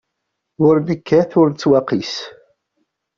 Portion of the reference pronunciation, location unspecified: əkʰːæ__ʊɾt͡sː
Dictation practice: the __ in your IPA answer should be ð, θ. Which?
θ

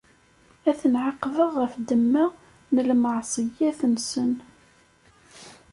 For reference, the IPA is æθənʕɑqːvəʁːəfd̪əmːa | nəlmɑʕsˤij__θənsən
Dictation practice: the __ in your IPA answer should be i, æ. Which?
æ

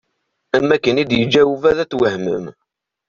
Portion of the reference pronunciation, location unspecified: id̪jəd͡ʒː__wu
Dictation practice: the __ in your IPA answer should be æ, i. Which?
æ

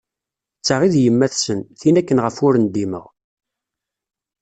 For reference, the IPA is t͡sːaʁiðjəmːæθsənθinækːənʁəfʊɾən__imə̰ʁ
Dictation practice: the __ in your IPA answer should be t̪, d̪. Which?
d̪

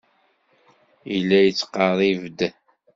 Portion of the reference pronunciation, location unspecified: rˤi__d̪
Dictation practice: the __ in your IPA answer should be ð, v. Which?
v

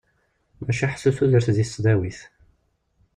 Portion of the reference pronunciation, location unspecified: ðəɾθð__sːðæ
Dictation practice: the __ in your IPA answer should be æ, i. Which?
i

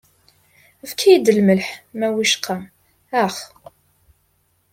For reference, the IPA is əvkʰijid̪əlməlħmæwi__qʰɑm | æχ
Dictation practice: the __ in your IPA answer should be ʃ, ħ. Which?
ʃ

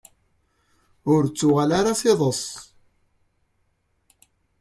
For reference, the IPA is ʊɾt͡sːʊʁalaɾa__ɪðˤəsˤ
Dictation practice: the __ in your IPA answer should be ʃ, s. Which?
s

